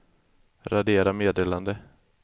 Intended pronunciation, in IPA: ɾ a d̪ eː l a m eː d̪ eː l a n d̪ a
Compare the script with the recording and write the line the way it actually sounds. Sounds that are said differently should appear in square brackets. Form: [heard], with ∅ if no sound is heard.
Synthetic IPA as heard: ɾ a d̪ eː [ɾ] a m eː d̪ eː l a n d̪ [ə]